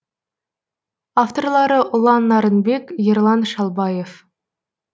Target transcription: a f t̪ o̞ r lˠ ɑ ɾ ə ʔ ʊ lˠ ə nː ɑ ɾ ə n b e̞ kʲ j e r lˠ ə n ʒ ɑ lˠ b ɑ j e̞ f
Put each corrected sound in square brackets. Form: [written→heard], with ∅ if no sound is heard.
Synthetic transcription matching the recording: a f t̪ o̞ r lˠ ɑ ɾ ə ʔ ʊ lˠ [ə→ɑ] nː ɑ ɾ ə n b e̞ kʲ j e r lˠ [ə→ɑ] n [ʒ→ʃ] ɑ lˠ b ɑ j e̞ f